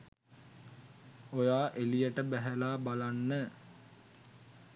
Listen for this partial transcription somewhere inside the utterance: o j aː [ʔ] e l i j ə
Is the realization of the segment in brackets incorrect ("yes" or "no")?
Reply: no